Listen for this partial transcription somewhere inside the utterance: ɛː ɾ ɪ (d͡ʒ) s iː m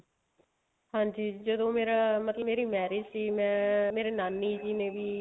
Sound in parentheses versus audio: correct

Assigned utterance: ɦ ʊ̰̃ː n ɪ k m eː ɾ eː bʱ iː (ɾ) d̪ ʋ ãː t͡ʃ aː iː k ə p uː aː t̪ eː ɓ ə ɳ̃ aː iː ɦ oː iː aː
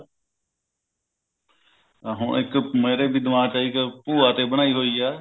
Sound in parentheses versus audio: incorrect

